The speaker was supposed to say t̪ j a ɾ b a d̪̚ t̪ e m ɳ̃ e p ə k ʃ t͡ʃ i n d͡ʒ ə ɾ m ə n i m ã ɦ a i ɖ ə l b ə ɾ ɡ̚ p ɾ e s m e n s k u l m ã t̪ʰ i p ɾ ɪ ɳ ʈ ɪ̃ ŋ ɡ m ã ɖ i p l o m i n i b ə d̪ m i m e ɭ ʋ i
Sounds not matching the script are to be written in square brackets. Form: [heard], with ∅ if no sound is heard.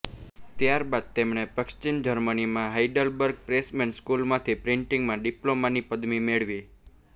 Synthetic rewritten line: t̪ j a ɾ b a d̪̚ t̪ e m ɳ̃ e p ə k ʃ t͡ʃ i n d͡ʒ ə ɾ m ə n i m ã ɦ a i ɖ ə l b ə ɾ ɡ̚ p ɾ e s m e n s k u l m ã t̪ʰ i p ɾ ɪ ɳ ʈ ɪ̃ ŋ ɡ m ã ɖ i p l o m [a] n i [p] ə d̪ m i m e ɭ ʋ i